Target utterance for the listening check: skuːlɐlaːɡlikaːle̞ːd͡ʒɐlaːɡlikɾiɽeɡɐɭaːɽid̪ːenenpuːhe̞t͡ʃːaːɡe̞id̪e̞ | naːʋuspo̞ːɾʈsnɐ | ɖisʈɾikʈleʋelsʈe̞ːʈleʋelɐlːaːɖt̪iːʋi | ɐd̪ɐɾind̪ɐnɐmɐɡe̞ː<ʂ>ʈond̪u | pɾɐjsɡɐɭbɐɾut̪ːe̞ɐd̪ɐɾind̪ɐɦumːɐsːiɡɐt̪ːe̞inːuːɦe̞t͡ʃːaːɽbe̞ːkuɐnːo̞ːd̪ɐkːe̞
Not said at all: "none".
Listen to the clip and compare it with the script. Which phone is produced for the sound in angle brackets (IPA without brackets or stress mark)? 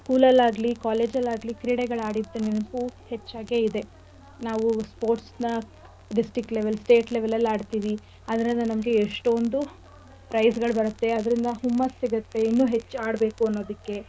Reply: ʂ